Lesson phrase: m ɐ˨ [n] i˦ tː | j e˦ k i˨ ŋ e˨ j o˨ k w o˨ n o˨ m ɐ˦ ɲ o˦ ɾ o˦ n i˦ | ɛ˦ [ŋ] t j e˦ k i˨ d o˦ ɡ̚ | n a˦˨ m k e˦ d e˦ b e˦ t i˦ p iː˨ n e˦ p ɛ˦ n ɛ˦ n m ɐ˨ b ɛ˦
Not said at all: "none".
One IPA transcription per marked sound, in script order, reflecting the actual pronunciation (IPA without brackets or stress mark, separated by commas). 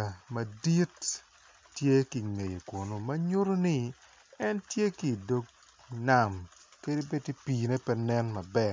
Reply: d, n